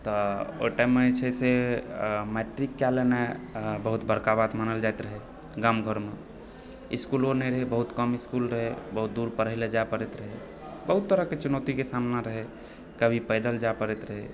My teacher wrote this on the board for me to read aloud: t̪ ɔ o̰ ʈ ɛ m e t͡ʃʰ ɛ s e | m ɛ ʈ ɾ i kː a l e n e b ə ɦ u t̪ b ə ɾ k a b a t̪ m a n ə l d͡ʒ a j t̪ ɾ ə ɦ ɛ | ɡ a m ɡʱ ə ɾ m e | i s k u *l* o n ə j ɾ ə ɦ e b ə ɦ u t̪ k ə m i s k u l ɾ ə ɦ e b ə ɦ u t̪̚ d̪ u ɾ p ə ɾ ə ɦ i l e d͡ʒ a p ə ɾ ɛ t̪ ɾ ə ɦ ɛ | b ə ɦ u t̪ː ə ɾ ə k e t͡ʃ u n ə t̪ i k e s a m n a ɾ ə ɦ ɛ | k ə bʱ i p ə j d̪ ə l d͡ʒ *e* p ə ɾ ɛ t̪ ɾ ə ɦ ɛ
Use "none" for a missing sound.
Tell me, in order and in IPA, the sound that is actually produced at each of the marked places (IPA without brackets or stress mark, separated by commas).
l, a